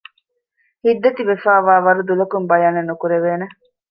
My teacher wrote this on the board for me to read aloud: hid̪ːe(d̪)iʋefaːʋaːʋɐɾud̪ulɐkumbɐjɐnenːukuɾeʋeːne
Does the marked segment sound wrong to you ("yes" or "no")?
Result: yes